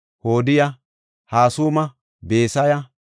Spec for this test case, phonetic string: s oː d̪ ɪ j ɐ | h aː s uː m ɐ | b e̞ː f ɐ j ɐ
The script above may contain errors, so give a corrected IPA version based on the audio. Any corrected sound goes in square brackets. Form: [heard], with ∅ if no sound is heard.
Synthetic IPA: [h] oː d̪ ɪ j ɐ | h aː s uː m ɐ | b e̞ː [s] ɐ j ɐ

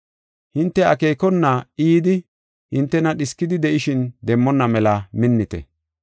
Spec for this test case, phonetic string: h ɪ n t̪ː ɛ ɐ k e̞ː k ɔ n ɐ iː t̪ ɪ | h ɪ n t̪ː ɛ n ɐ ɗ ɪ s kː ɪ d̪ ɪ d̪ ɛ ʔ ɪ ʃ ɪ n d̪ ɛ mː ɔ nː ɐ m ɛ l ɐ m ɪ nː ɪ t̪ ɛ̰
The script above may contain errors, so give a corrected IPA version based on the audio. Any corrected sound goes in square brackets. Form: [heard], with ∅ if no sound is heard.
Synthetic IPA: h ɪ n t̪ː ɛ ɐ k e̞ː k ɔ [nː] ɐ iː [d̪] ɪ | h ɪ n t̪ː ɛ n ɐ ɗ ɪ s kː ɪ d̪ ɪ d̪ ɛ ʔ ɪ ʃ ɪ n d̪ ɛ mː ɔ nː ɐ m ɛ l ɐ m ɪ nː ɪ t̪ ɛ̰

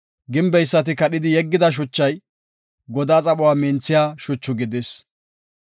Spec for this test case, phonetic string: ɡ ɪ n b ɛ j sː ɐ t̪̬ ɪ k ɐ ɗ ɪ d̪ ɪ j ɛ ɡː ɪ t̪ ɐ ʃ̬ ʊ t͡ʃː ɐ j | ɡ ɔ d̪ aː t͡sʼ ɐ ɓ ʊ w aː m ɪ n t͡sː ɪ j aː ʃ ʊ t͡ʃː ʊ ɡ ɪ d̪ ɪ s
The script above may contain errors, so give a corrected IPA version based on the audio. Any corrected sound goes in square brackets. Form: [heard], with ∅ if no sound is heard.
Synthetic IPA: ɡ ɪ [m] b ɛ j sː ɐ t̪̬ ɪ k ɐ ɗ ɪ d̪ ɪ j ɛ ɡː ɪ [d̪] ɐ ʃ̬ ʊ t͡ʃː ɐ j | ɡ ɔ d̪ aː t͡sʼ ɐ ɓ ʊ w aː m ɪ n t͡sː ɪ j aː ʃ ʊ t͡ʃː ʊ ɡ ɪ d̪ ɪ s

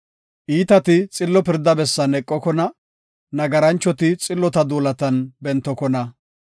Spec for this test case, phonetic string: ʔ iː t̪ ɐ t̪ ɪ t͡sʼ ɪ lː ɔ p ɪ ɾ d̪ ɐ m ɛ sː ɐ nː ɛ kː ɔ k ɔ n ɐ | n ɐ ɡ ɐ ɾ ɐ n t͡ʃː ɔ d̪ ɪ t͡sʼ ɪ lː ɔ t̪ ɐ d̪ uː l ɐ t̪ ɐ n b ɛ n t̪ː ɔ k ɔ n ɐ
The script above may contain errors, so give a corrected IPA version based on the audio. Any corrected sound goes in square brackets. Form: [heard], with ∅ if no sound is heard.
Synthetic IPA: ʔ iː t̪ ɐ t̪ ɪ t͡sʼ ɪ lː ɔ p ɪ ɾ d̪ ɐ [b] ɛ sː ɐ [n] ɛ [kʼː] ɔ k ɔ n ɐ | n ɐ ɡ ɐ ɾ ɐ n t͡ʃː ɔ [t̪] ɪ t͡sʼ ɪ lː ɔ t̪ ɐ d̪ uː l ɐ t̪ ɐ n b ɛ n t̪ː ɔ k ɔ n ɐ

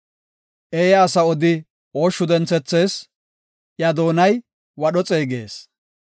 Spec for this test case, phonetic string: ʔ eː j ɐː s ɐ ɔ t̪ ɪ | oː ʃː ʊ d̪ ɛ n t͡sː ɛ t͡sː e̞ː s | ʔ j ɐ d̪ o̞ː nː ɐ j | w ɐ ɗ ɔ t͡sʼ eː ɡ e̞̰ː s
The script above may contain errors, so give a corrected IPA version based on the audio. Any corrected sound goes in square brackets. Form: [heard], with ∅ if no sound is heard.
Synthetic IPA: ʔ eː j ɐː s ɐ ɔ [d̪] ɪ | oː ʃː ʊ d̪ ɛ n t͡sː ɛ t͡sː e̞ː s | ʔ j ɐ d̪ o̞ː [n] ɐ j | w ɐ ɗ ɔ t͡sʼ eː ɡ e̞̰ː s

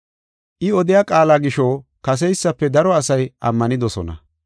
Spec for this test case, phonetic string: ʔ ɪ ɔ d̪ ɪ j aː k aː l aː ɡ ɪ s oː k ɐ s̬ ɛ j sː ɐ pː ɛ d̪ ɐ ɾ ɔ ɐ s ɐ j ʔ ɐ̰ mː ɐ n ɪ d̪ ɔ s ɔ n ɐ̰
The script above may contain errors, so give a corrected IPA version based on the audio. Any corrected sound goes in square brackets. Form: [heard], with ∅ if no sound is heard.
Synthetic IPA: ʔ ɪ ɔ d̪ ɪ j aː [kʼ] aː l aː ɡ ɪ [ʃ] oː k ɐ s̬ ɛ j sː ɐ pː ɛ d̪ ɐ ɾ ɔ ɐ s ɐ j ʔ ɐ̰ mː ɐ n ɪ d̪ ɔ s ɔ n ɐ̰

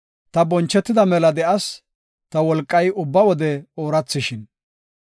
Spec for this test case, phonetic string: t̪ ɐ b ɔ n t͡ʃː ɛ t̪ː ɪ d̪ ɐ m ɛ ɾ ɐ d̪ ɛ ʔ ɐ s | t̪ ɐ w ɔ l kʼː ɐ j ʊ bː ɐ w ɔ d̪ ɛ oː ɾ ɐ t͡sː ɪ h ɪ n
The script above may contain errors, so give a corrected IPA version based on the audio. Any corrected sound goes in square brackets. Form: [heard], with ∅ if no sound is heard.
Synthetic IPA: t̪ ɐ b ɔ n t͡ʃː ɛ t̪ː ɪ d̪ ɐ m ɛ [l] ɐ d̪ ɛ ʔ ɐ s | t̪ ɐ w ɔ l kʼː ɐ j ʊ bː ɐ w ɔ d̪ ɛ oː ɾ ɐ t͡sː ɪ [ʃ] ɪ n

